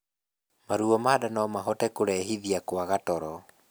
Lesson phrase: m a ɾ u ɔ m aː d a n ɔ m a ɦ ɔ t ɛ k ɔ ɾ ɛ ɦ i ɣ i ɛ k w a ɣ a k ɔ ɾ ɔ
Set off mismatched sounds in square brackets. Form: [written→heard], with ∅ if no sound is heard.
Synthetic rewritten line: m a ɾ u ɔ m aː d a n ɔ m a ɦ ɔ t ɛ k [ɔ→o] ɾ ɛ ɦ i [ɣ→ð] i [ɛ→a] k w a ɣ a [k→t] ɔ ɾ ɔ

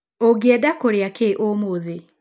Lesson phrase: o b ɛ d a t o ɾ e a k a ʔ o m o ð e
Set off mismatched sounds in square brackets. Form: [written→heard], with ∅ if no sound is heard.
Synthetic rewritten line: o [b→ɡ] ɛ d a [t→k] o ɾ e a k [a→e] ʔ o m o ð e

